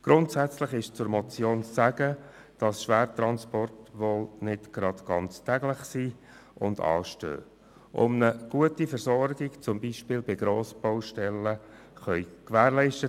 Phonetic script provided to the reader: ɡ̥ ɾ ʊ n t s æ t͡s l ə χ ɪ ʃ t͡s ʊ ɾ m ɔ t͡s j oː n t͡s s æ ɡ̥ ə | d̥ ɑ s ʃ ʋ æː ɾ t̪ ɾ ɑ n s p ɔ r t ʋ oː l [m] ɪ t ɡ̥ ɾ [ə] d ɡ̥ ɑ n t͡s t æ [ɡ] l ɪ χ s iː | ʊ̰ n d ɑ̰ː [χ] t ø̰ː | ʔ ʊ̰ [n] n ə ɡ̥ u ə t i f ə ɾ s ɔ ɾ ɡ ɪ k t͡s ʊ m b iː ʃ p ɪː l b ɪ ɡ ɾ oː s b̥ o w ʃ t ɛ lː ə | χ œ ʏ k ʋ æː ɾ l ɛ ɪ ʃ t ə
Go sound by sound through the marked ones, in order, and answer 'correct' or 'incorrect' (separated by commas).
incorrect, incorrect, correct, incorrect, incorrect